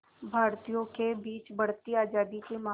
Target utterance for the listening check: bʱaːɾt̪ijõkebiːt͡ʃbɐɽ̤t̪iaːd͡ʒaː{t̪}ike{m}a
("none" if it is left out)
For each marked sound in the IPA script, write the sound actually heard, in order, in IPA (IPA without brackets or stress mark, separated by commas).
d̪, m